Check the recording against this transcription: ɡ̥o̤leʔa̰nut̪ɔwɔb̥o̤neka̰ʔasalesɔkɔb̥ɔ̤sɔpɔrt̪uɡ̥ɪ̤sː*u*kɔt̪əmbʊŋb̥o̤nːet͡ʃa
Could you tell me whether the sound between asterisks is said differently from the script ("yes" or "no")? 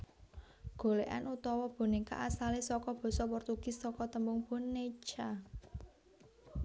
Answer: yes